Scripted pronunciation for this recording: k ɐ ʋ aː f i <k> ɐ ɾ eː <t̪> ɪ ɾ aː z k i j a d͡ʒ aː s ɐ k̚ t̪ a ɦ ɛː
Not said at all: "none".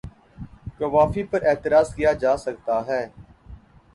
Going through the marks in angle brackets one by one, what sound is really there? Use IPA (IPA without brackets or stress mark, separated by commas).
p, t̪